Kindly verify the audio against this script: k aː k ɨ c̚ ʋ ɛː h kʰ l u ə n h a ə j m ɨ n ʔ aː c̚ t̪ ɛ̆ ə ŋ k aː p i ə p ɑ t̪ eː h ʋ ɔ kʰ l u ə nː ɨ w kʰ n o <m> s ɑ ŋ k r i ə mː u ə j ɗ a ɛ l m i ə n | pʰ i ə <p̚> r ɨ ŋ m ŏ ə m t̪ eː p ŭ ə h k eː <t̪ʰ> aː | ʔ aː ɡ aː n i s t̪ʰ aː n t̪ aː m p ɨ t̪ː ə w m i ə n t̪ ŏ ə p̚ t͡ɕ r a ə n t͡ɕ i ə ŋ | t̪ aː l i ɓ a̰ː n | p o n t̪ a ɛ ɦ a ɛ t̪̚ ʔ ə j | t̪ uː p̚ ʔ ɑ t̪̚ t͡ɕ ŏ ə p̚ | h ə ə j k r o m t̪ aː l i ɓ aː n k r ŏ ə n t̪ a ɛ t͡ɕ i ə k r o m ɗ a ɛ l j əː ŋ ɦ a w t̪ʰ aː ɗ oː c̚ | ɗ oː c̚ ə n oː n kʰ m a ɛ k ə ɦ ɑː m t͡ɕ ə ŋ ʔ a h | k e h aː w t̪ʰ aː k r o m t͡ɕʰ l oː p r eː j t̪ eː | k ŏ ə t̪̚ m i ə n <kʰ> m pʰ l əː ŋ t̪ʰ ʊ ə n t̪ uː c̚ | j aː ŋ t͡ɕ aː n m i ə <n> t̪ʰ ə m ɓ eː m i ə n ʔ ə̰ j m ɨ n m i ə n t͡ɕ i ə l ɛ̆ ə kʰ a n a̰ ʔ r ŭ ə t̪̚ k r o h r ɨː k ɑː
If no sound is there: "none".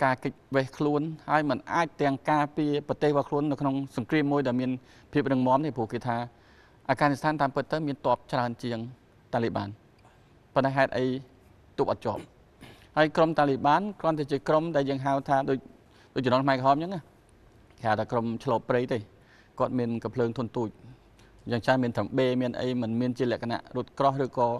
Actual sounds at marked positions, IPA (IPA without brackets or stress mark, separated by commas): ŋ, p̚, t̪ʰ, k, n